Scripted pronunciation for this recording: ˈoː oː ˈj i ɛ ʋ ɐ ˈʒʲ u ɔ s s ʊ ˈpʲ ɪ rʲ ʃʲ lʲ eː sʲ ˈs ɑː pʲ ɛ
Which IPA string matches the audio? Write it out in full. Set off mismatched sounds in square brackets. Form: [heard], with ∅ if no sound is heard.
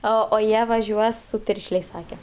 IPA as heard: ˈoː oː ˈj i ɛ ʋ ɐ ˈʒʲ u ɔ s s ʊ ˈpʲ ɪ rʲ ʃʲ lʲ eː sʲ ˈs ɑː [kʲ] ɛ